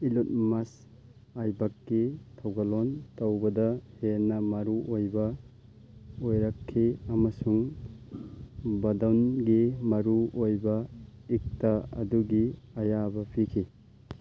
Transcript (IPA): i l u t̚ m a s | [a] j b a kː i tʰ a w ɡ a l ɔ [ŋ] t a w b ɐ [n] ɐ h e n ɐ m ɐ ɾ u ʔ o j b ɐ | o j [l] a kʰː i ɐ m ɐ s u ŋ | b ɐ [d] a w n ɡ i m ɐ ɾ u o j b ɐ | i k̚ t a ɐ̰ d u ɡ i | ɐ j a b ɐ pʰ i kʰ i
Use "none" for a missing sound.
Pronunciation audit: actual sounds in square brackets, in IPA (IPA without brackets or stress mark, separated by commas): a, n, d, ɾ, d